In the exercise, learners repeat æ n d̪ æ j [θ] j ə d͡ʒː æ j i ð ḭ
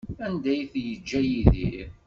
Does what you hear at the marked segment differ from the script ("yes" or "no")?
no